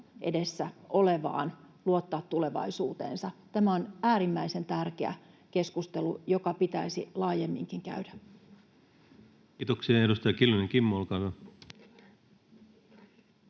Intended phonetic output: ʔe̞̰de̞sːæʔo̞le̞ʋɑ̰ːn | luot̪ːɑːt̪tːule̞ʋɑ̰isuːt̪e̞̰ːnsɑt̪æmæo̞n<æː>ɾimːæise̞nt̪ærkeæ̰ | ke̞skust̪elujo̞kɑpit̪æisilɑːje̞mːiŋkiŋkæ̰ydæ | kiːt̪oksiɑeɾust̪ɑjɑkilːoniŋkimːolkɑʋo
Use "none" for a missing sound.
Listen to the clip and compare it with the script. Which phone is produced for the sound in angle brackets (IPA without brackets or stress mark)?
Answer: æː